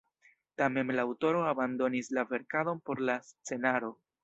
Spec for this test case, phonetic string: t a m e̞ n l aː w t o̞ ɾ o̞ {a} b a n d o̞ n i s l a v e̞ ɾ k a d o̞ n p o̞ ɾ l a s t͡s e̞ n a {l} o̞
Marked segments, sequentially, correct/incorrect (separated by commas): correct, incorrect